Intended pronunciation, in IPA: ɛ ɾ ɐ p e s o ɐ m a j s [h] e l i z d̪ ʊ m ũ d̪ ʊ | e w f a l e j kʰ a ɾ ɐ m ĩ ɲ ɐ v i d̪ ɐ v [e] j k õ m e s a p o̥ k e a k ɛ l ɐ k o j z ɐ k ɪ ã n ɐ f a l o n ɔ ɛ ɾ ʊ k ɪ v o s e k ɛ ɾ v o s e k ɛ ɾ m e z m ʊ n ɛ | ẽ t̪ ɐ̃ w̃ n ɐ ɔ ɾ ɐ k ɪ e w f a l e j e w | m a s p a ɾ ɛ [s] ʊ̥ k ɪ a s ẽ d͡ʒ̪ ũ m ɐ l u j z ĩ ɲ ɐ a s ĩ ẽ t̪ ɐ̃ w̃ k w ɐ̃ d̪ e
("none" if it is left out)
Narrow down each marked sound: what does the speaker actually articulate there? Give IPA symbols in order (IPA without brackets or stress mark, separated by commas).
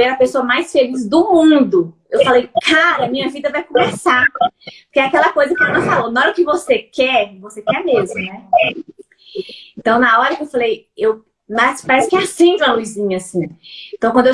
f, a, s